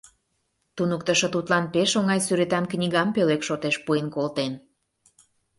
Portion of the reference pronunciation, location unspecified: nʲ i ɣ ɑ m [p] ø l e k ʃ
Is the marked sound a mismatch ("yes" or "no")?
no